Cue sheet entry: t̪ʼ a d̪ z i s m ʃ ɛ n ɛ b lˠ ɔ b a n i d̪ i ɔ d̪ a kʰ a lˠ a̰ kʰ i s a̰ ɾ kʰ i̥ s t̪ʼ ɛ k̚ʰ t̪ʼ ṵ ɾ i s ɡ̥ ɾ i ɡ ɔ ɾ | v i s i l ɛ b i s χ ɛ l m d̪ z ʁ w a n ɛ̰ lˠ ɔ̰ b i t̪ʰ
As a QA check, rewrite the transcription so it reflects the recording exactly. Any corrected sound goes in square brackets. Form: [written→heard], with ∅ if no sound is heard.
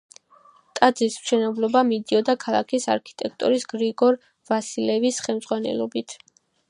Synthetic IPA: t̪ʼ a d̪ z i s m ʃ ɛ n ɛ b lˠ ɔ b a [n→m] i d̪ i ɔ d̪ a kʰ a lˠ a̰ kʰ i s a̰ ɾ kʰ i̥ [s→∅] t̪ʼ ɛ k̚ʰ t̪ʼ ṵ ɾ i s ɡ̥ ɾ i ɡ ɔ ɾ | v [i→a] s i l ɛ [b→v] i s χ ɛ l m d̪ z ʁ w a n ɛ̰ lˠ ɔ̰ b i t̪ʰ